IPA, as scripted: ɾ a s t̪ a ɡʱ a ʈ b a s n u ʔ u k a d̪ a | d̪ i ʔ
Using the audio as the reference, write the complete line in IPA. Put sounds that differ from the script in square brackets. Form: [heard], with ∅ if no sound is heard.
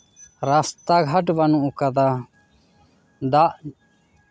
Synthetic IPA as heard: ɾ a s t̪ a ɡʱ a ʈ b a [∅] n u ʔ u k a d̪ a | d̪ [a] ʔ